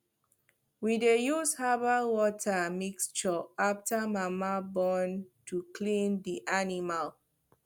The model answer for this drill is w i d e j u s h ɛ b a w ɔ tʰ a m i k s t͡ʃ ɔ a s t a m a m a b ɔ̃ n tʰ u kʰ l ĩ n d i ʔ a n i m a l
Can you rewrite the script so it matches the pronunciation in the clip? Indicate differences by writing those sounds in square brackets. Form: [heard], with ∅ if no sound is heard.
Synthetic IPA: w i d e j u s h [a] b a w ɔ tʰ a m i k s t͡ʃ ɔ a [f] t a m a m a b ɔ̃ n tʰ u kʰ l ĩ n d i ʔ a n i m a l

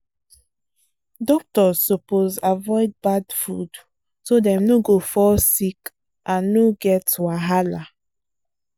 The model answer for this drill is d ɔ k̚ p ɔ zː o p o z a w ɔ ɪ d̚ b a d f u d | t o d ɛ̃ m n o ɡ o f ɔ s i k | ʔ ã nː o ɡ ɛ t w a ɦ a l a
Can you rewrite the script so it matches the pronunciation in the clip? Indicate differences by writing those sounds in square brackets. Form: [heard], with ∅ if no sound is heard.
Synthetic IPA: d ɔ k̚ [t] ɔ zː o p o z a [v] ɔ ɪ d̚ b a d f u d | [s] o d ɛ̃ m n o ɡ o f ɔ s i k | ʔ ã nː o ɡ ɛ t w a ɦ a l a

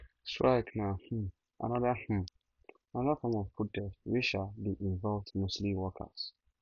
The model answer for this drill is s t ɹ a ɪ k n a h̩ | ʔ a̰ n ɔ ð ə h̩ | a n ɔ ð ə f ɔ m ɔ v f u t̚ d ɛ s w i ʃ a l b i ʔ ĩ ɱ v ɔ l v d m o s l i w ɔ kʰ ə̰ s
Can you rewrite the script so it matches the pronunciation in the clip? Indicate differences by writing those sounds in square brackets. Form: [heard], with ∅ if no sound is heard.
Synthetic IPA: s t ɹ a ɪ k n a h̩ | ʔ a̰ n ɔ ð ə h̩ | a n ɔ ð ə f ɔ m ɔ v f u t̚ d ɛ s w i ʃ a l b i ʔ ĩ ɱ v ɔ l v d m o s l i w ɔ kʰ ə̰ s

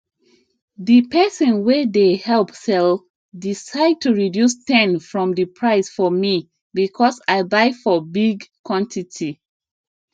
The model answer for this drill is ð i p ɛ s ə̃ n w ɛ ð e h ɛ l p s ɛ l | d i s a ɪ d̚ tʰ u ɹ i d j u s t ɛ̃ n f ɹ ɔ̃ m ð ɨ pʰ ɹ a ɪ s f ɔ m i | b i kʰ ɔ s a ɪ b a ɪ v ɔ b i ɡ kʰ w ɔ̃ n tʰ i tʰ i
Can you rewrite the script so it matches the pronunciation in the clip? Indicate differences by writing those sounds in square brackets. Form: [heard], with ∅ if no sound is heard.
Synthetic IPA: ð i p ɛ s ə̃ n w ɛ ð e h ɛ l p s ɛ l | d i s a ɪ d̚ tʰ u ɹ i d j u s t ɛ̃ n f ɹ ɔ̃ m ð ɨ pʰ ɹ a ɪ s f ɔ m i | b i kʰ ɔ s a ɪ b a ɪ [f] ɔ b i ɡ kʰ w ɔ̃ n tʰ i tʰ i

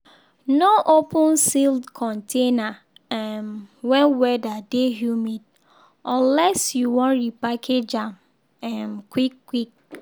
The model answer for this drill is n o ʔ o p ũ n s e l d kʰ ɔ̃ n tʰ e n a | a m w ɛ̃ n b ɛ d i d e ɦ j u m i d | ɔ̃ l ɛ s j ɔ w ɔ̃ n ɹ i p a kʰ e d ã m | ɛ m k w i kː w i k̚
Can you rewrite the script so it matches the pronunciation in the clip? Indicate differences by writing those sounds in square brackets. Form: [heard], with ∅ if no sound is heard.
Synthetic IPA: n o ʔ o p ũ n s [i] l d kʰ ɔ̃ n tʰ e n a | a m w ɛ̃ n [w] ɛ d [a] d e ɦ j u m i d | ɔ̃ l ɛ s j [u] w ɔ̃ n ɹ i p a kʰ e [d͡ʒ] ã m | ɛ m k w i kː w i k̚

